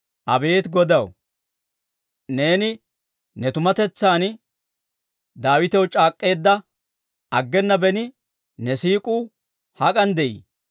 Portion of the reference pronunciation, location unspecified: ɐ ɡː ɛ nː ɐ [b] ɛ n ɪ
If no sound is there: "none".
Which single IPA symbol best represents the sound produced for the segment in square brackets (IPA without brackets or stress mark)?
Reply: b